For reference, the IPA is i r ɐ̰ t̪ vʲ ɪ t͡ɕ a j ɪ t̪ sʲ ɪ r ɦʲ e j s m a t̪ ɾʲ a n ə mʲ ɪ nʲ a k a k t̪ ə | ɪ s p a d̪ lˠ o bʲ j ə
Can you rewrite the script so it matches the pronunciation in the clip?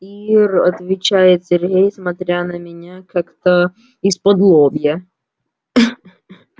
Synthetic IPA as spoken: i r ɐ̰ t̪ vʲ ɪ t͡ɕ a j ɪ t̪ sʲ ɪ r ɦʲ e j s m ɐ t̪ ɾʲ a n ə mʲ ɪ nʲ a k a k t̪ ə | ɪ s p ɐ d̪ lˠ o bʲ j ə